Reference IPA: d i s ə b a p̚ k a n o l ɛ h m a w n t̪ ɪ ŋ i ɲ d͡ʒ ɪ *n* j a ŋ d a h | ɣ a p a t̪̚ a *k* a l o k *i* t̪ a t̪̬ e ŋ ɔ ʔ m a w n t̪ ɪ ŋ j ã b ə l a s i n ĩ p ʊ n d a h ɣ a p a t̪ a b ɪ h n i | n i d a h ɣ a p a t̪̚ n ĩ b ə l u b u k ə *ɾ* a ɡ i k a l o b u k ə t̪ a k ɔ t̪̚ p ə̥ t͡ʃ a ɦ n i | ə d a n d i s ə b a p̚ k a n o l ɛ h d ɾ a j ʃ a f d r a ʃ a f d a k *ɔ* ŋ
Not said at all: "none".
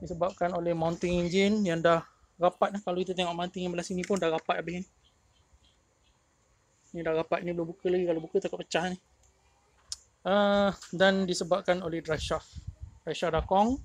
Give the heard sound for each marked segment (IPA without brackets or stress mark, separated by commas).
n, k, i, l, ɔ